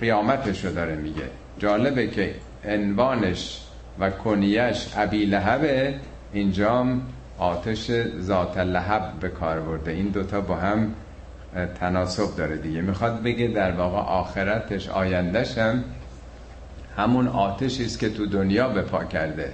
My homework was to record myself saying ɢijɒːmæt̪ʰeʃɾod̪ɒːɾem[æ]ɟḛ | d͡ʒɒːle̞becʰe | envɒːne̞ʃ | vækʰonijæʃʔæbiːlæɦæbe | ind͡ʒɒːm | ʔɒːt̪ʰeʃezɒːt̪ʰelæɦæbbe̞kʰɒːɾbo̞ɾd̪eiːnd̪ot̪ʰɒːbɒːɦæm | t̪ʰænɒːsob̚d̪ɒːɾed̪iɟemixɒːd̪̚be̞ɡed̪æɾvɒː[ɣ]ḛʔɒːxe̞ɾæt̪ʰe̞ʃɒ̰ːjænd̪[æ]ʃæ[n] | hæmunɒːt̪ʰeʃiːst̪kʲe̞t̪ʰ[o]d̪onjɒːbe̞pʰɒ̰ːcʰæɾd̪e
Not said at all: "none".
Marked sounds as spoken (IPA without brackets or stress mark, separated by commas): i, ɣ, æ, m, u